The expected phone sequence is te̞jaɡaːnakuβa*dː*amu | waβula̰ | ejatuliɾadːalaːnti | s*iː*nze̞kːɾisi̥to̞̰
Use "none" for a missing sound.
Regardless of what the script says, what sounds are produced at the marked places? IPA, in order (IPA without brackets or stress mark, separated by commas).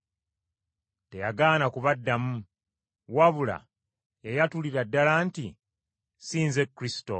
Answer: dː, iː